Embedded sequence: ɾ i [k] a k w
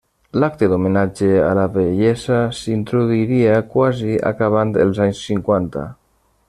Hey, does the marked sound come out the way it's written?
no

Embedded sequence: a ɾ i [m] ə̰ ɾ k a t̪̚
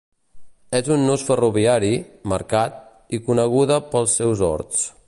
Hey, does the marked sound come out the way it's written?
yes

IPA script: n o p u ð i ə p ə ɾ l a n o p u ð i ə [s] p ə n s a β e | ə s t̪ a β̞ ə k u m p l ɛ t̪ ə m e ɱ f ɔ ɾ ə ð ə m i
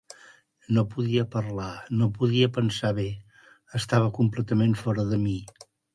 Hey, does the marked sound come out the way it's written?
no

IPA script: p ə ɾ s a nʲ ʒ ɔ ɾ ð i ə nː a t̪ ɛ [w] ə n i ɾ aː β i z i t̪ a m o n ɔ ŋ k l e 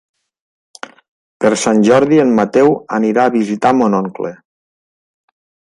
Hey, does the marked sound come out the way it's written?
yes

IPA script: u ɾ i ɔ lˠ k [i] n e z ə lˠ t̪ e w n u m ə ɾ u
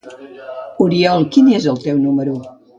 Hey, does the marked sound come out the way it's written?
yes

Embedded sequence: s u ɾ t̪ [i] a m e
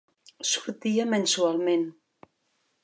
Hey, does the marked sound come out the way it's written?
yes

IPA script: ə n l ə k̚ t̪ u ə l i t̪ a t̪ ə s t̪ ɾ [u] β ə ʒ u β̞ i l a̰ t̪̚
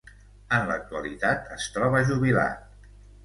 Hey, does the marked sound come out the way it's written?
no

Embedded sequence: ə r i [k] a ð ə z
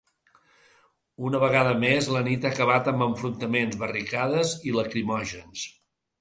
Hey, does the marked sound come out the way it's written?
yes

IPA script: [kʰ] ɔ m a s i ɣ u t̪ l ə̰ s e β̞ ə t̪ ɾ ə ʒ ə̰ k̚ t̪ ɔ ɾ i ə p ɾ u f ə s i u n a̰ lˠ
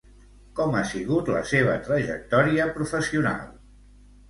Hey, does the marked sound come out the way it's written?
no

